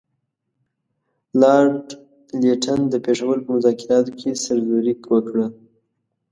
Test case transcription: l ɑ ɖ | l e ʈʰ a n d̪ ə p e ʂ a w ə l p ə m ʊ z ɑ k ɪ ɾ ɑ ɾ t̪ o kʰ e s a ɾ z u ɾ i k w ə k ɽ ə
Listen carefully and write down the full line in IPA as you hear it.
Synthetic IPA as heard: l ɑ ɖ | l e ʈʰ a n d̪ ə p e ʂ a w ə l p ə m ʊ z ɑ k ɪ ɾ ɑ t̪ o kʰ e s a ɾ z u ɾ i k w ə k ɽ ə